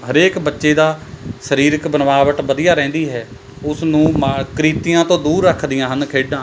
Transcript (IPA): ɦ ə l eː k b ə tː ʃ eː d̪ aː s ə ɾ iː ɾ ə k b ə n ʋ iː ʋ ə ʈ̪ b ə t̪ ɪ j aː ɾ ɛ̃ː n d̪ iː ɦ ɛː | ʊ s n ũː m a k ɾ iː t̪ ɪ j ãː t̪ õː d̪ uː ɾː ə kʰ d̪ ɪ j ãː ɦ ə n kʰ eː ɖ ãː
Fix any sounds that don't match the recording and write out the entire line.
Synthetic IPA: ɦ ə ɾ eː k b ə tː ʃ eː d̪ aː s ə ɾ iː ɾ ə k b ə n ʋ aː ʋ ə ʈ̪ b ə d̪ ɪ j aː ɾ ɛ̃ː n d̪ iː ɦ ɛː | ʊ s n ũː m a k ɾ iː t̪ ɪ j ãː t̪ õː d̪ uː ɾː ə kʰ d̪ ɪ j ãː ɦ ə n kʰ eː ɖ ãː